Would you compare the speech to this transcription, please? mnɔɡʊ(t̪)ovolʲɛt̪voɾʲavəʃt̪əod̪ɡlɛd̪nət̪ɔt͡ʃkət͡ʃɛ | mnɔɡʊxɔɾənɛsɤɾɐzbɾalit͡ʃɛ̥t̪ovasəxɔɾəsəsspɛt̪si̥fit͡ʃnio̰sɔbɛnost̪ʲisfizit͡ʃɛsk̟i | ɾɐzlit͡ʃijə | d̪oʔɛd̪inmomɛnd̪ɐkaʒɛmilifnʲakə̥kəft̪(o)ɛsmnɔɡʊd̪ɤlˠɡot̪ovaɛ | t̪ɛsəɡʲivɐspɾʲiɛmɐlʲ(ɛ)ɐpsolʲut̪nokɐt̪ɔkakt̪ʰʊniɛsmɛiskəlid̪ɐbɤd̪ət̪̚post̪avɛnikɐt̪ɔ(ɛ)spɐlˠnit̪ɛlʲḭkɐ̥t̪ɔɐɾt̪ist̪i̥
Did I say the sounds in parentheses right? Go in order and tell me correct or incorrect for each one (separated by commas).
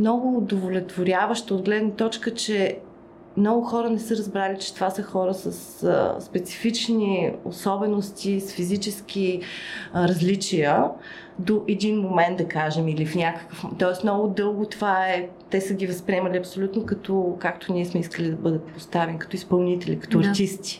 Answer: incorrect, incorrect, incorrect, incorrect